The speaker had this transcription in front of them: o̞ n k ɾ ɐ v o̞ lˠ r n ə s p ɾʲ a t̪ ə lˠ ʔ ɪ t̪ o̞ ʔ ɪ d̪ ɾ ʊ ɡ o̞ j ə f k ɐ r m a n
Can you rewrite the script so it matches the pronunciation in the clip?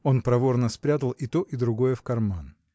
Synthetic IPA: o̞ n p ɾ ɐ v o̞ r n ə s p ɾʲ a t̪ ə lˠ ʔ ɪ t̪ o̞ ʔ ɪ d̪ ɾ ʊ ɡ o̞ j ə f k ɐ r m a n